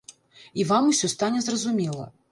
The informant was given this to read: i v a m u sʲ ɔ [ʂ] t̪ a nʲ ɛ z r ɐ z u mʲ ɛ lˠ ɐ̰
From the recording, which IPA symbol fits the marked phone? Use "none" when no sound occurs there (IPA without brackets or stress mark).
s